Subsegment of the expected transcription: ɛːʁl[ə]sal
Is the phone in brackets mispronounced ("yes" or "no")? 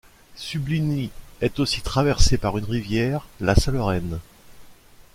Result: yes